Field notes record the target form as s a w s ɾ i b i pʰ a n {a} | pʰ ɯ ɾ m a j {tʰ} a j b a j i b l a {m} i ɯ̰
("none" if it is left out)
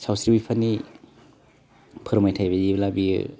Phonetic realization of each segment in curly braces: i, tʰ, b

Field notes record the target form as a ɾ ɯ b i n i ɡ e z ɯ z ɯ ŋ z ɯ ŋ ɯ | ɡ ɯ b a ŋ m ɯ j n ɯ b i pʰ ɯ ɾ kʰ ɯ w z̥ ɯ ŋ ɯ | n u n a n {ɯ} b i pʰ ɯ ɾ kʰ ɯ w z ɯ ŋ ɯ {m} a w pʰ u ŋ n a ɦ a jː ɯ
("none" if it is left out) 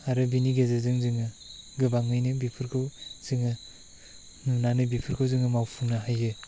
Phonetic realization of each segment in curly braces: ɯ, m

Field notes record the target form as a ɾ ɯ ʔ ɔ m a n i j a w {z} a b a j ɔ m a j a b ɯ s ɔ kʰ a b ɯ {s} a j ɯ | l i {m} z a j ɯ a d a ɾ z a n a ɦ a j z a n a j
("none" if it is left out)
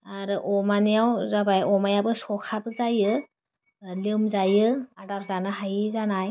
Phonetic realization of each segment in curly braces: z, z, m

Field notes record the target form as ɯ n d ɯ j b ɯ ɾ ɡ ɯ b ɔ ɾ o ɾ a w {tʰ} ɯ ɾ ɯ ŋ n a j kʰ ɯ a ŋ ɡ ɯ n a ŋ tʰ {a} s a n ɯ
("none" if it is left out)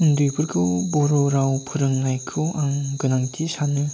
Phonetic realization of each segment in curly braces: pʰ, i

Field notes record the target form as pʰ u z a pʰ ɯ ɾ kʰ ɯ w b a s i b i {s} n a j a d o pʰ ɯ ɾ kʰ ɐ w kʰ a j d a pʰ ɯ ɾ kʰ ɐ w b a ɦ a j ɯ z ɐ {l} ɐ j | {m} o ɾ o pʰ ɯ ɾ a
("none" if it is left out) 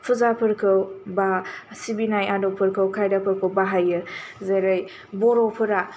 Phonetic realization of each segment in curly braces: none, ɾ, b

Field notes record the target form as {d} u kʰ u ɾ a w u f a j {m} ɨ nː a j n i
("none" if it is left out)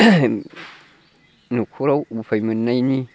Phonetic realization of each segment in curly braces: n, m

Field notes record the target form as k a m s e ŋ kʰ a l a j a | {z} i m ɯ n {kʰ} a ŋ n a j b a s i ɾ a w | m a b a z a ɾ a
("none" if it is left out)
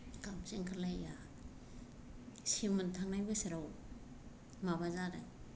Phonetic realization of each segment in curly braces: s, tʰ

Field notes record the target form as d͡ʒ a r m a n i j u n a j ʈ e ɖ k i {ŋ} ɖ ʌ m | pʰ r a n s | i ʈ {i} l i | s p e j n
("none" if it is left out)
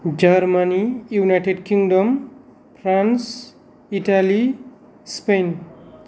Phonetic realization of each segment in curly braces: ŋ, a

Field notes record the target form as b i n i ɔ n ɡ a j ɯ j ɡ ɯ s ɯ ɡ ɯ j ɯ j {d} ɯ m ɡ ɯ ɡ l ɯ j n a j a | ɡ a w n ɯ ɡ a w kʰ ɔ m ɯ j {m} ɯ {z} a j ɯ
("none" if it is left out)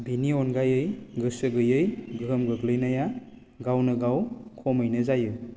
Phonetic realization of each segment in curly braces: ɡ, n, z

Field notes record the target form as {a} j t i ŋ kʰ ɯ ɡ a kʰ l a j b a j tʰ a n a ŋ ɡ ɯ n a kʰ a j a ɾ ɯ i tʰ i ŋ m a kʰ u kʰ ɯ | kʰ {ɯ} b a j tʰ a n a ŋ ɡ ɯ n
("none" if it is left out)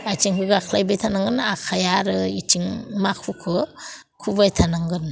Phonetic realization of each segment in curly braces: a, u

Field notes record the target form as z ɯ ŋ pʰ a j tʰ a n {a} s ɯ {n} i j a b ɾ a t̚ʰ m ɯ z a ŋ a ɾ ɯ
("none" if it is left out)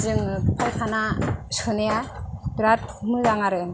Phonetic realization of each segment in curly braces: a, n

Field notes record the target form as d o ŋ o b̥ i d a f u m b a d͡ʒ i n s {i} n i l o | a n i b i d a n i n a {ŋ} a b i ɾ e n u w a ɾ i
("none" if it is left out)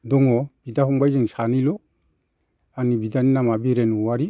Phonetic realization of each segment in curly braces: a, m

